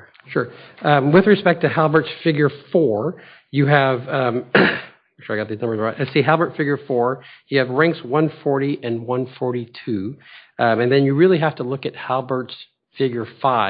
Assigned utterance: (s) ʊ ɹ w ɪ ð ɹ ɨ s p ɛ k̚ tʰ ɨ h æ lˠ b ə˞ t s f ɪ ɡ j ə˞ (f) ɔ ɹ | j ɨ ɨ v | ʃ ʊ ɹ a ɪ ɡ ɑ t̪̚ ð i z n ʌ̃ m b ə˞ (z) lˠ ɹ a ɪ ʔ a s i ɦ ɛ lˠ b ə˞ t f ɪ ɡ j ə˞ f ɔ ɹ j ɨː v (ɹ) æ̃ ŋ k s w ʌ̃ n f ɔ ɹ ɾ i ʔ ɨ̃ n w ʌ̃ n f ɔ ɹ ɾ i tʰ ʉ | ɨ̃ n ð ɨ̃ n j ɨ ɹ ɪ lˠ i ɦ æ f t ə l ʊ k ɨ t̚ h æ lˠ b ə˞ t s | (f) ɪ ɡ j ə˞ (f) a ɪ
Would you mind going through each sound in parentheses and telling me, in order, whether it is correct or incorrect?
incorrect: ʃ, correct, correct, correct, correct, correct

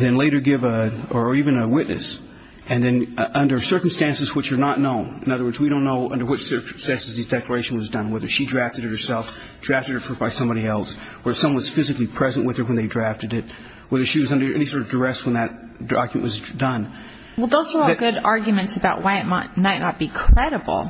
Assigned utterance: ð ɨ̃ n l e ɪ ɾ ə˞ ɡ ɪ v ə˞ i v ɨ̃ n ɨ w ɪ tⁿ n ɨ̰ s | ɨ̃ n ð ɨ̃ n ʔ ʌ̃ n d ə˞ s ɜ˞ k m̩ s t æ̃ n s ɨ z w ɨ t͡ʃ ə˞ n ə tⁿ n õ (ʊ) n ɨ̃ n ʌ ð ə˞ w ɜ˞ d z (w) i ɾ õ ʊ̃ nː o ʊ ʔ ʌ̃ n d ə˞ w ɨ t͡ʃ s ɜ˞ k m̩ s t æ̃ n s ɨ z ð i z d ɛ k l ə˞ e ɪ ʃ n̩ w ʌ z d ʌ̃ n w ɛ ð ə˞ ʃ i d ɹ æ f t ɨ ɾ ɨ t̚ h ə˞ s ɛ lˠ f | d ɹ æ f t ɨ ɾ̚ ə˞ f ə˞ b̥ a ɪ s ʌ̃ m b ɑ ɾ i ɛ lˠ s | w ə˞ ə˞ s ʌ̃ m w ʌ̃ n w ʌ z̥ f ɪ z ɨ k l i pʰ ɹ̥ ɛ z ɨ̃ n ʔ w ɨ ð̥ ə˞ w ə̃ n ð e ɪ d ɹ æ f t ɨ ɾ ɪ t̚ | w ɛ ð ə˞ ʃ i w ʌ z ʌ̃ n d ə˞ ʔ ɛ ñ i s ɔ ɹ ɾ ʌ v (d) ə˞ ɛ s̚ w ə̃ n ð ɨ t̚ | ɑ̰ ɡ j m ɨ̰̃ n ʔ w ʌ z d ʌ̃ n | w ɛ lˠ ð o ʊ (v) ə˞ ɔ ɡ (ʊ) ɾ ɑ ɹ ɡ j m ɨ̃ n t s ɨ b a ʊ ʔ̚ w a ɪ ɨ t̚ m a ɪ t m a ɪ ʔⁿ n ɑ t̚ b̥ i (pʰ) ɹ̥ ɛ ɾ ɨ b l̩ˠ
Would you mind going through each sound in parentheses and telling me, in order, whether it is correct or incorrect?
incorrect: ʊ̃, correct, correct, incorrect: z, correct, incorrect: kʰ

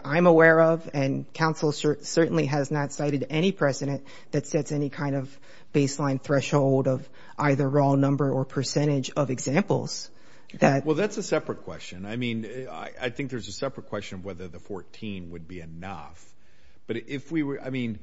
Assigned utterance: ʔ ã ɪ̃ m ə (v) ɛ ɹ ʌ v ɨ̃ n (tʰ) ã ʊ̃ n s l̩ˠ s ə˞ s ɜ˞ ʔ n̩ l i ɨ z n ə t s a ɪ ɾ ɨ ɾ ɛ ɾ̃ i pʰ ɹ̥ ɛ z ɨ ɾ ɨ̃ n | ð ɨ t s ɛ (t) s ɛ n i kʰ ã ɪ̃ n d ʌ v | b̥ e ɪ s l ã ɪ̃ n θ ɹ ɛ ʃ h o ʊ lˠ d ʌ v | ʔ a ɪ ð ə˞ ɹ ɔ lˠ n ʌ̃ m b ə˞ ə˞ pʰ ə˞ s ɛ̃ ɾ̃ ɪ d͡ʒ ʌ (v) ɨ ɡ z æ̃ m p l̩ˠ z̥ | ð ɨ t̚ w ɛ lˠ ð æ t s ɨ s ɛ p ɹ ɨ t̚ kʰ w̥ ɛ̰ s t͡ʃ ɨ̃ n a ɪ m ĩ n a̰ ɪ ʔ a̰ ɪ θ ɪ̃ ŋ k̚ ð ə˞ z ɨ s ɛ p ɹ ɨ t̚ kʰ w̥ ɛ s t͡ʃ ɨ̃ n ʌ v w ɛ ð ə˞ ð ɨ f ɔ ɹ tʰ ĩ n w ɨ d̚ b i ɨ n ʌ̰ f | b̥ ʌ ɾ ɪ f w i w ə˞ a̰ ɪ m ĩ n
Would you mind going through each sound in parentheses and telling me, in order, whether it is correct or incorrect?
incorrect: w, incorrect: kʰ, correct, correct

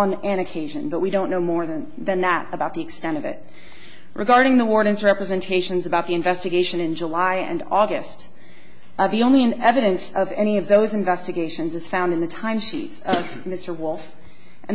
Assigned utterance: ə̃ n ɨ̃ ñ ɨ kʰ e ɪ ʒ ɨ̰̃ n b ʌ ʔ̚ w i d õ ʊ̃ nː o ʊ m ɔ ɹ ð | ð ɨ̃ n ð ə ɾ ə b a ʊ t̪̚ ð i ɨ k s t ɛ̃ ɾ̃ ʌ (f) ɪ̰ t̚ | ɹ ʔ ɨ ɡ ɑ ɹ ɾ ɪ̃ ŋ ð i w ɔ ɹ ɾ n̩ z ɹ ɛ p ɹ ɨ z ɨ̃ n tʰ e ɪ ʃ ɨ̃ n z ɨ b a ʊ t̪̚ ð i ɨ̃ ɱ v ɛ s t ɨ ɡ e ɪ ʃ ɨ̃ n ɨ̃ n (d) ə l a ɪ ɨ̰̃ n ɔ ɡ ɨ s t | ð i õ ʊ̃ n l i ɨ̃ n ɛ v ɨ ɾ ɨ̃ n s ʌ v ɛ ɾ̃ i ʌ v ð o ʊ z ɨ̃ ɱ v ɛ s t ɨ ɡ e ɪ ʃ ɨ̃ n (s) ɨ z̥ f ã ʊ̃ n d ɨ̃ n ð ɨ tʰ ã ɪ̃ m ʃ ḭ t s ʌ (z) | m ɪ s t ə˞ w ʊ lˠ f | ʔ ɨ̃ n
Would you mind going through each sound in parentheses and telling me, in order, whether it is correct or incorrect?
incorrect: v, incorrect: d͡ʒ, incorrect: z, incorrect: v

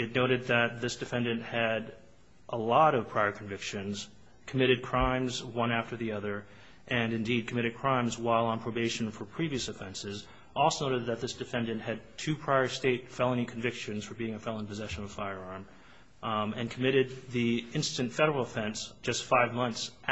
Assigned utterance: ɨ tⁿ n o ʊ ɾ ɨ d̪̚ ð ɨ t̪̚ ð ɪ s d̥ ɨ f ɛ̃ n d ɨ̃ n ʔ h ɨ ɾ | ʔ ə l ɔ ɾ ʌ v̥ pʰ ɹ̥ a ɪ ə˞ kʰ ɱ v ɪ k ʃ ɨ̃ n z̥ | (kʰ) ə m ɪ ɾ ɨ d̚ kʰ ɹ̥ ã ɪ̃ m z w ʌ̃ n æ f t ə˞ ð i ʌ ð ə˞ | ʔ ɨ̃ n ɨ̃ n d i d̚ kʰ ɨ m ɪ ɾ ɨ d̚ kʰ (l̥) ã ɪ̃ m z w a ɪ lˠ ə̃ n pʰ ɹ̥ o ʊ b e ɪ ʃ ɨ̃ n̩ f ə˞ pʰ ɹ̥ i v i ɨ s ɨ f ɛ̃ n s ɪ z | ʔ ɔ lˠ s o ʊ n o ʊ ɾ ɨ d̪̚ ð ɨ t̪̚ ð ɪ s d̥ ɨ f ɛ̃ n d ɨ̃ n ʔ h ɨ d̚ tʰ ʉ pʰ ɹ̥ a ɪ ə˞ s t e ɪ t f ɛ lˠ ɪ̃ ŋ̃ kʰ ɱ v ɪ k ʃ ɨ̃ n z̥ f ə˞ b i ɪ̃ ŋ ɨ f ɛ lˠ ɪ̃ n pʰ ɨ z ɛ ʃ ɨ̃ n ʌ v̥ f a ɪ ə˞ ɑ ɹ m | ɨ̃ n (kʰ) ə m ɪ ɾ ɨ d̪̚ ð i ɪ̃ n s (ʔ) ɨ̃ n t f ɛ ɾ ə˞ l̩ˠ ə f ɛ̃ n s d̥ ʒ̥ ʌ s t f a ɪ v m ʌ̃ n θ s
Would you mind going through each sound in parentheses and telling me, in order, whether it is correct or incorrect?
correct, incorrect: ɹ̥, correct, incorrect: t

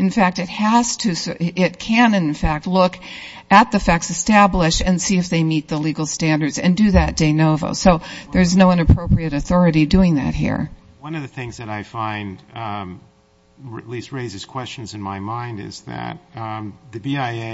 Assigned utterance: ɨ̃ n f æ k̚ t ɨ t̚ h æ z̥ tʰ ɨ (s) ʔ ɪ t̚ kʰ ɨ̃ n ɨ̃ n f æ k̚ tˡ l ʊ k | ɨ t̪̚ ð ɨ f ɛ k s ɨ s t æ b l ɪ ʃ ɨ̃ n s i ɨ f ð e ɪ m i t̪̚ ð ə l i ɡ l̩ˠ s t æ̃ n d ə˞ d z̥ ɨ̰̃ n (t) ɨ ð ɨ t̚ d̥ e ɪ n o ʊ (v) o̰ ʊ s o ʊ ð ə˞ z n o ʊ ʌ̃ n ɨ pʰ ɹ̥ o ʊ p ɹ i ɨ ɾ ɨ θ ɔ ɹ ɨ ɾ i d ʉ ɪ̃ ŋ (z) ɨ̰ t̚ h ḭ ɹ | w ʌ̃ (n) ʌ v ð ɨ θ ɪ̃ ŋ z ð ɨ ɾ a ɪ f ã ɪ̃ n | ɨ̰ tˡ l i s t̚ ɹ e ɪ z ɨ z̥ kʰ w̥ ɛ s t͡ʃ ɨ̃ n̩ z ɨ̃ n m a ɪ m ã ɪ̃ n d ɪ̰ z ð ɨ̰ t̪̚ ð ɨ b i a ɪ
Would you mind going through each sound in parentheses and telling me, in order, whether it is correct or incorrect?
correct, incorrect: d, correct, incorrect: ð, correct

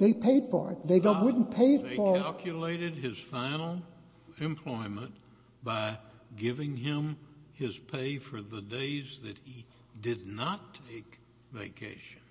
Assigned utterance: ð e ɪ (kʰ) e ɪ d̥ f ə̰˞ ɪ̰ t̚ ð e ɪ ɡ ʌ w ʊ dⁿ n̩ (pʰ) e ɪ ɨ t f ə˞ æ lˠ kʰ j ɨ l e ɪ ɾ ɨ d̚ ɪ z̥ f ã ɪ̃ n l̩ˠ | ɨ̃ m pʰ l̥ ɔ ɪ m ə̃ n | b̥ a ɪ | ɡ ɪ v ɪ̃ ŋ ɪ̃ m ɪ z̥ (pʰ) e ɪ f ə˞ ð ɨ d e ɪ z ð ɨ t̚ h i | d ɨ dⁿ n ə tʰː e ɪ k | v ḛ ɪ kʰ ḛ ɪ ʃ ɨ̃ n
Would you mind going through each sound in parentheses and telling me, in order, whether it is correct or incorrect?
incorrect: pʰ, correct, correct

